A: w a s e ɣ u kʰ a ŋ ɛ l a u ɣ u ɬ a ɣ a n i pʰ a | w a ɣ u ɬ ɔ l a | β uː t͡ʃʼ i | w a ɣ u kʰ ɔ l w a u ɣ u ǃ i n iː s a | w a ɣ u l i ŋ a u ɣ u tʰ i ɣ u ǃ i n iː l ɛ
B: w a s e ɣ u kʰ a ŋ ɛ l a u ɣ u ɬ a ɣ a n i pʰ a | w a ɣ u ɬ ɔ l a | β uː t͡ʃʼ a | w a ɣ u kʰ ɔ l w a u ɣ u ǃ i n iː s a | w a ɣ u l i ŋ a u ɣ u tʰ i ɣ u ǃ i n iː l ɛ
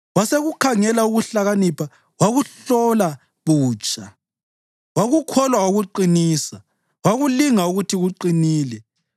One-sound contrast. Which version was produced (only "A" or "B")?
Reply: B